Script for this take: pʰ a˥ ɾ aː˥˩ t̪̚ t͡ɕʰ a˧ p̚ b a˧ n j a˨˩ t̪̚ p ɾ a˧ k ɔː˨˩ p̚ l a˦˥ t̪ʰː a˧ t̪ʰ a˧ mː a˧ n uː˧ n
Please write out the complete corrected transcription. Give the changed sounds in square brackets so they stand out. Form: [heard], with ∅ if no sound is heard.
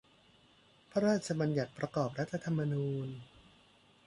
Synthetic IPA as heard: pʰ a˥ ɾ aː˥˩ t̪̚ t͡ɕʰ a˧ [∅] b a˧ n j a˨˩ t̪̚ p ɾ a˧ k ɔː˨˩ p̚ [ɾ] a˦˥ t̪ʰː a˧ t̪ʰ a˧ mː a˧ n uː˧ n